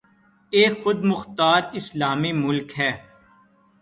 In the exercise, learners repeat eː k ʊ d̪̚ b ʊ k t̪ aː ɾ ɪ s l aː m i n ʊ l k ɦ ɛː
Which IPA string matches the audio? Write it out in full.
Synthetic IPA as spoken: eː x ʊ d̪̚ m ʊ x t̪ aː ɾ ɪ s l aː m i m ʊ l k ɦ ɛː